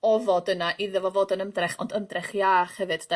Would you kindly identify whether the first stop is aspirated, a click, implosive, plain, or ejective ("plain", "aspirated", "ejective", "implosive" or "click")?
plain